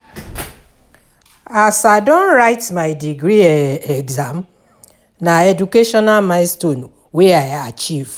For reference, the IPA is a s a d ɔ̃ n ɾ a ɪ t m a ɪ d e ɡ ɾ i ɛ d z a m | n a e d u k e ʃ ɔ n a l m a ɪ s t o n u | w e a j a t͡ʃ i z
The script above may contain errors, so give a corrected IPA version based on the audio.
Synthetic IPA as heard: a s a d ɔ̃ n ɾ a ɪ t m a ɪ d i ɡ ɾ i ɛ ɡ z a m | n a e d u k e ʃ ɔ n a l m a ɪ s t o n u | w e a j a t͡ʃ i v

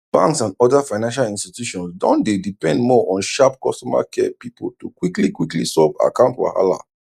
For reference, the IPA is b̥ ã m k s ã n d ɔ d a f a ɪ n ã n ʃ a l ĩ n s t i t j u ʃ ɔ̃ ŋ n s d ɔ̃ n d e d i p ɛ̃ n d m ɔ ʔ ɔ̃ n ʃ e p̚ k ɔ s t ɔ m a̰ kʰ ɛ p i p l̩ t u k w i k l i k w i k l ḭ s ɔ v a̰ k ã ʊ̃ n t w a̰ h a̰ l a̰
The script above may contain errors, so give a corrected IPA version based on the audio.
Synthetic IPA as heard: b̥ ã ŋ k s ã n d ɔ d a f a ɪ n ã n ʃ a l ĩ n s t i t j u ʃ ɔ̃ n s d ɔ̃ n d e d i p ɛ̃ n d m ɔ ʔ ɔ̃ n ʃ a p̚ k ɔ s t ɔ m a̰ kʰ ɛ p i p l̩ t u k w i k l i k w i k l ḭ s ɔ v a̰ k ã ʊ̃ n t w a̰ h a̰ l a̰

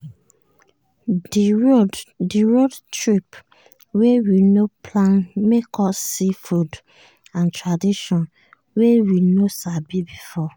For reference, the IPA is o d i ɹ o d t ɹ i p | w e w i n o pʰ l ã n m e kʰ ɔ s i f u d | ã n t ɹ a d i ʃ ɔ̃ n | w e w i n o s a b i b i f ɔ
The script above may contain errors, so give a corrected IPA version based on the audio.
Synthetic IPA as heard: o d i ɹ o d t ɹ i p | w e w i n o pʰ l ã n m e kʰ ɔ s i f u d | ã n t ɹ a d i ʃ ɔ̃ n | w e w i n o s a b i b i f ɔ

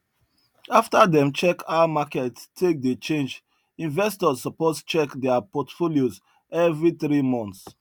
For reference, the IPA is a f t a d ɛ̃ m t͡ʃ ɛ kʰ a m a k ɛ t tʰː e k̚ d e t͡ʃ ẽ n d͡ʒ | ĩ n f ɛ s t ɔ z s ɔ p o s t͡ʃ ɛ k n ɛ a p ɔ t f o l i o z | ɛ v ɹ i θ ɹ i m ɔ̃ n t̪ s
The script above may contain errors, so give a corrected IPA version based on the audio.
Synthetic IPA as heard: a f t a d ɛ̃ m t͡ʃ ɛ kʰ a m a k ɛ t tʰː e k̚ d e t͡ʃ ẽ n d͡ʒ | ĩ n v ɛ s t ɔ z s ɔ p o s t͡ʃ ɛ k d ɛ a p ɔ t f o l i o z | ɛ v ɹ i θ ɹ i m ɔ̃ n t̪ s

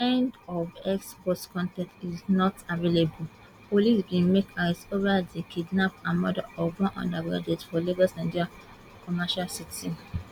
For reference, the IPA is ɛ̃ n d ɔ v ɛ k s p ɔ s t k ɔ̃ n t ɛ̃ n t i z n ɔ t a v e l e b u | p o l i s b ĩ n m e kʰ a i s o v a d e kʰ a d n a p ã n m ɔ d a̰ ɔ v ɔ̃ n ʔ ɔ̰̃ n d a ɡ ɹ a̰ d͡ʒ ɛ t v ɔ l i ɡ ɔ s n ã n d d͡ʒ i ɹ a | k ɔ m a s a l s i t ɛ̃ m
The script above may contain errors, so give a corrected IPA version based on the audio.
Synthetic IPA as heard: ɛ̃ n d ɔ v ɛ k s p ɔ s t k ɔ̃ n t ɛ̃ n t i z n ɔ t a v e l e b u | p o l i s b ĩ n m e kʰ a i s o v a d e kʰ i d n a p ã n m ɔ d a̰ ɔ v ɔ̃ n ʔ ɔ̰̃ n d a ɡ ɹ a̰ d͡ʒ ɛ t f ɔ l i ɡ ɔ s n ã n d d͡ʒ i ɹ a | k ɔ m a ʃ a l s i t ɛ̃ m

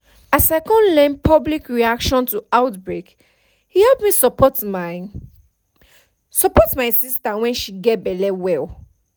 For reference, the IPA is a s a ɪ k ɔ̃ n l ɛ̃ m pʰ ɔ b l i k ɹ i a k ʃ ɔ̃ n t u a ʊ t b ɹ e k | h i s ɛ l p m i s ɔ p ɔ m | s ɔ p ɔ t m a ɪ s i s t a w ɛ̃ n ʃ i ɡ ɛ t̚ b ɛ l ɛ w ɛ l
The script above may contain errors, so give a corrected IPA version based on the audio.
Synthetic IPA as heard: a s a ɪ k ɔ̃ n l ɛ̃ n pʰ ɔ b l i k ɹ i a k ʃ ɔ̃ n t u a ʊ t b ɹ e k | h i h ɛ l p m i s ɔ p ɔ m | s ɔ p ɔ t m a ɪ s i s t a w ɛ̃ n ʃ i ɡ ɛ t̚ b ɛ l ɛ w ɛ l

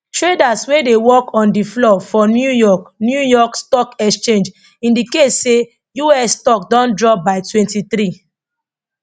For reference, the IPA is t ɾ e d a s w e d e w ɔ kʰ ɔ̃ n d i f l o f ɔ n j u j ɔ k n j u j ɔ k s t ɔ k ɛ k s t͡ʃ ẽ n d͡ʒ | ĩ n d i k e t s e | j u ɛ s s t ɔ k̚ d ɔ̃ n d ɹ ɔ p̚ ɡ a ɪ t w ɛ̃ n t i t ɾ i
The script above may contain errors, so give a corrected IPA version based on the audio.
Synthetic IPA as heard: t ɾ e d a s w e d e w ɔ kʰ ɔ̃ n d i f l ɔ f ɔ n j u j ɔ k n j u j ɔ k s t ɔ k ɛ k s t͡ʃ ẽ n d͡ʒ | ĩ n d i k e t s e | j u ɛ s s t ɔ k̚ d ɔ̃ n d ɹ ɔ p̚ b a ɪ t w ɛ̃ n t i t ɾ i

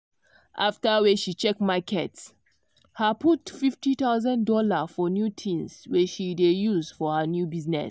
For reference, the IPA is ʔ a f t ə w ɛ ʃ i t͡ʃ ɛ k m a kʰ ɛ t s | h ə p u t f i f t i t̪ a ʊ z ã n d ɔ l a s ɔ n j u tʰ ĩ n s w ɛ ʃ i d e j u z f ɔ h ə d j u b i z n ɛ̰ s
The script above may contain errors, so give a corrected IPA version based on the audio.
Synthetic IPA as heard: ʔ a f t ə w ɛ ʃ i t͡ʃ ɛ k m a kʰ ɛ t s | h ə p u t f i f t i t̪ a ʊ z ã n d ɔ l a f ɔ n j u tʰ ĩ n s w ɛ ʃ i d e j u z f ɔ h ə n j u b i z n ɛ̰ s

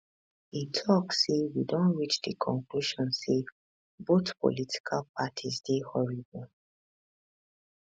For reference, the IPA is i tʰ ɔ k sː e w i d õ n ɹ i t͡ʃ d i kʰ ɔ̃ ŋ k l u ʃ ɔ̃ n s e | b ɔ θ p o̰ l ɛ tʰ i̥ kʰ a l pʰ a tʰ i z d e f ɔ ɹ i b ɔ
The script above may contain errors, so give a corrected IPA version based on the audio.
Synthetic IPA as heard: i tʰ ɔ k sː e w i d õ n ɹ i t͡ʃ d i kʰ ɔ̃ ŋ k l u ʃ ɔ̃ n s e | b o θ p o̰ l i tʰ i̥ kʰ a l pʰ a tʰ i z d e h ɔ ɹ i b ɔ

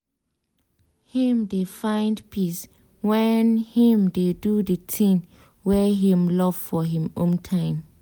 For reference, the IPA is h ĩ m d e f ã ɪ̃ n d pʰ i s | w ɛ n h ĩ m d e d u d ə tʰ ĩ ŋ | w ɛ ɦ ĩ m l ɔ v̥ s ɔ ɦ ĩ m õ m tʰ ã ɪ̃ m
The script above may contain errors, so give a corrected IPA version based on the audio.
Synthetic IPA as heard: h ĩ m d e f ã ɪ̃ n d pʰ i s | w ɛ n h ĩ m d e d u d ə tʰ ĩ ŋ | w ɛ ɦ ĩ m l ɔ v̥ f ɔ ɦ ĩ m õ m tʰ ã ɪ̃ m

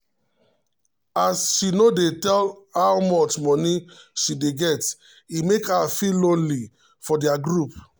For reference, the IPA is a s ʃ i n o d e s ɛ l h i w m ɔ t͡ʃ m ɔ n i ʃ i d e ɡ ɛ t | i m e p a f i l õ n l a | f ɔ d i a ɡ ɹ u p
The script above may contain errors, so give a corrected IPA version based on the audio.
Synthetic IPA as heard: a s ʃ i n o d e t ɛ l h a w m ɔ t͡ʃ m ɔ n i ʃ i d e ɡ ɛ t | i m e k a f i l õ n l i | f ɔ d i a ɡ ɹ u p

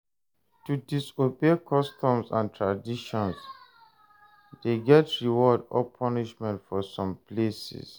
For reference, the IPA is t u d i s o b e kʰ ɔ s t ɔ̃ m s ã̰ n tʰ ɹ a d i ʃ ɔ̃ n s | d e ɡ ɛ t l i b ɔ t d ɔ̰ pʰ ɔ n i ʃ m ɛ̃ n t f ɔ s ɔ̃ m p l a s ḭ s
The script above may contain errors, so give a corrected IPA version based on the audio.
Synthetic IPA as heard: t u d i s o b e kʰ ɔ s t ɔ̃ m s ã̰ n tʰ ɹ a d i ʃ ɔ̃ n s | d e ɡ ɛ t ɹ i w ɔ d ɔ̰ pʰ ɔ n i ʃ m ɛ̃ n t f ɔ s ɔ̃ m p l e s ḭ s

